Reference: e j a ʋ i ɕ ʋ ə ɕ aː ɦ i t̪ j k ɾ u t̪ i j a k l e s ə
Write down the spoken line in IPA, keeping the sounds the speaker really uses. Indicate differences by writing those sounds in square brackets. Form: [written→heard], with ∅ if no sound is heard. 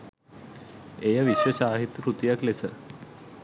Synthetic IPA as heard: e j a ʋ i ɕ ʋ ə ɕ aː ɦ i t̪ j k ɾ u t̪ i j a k l e s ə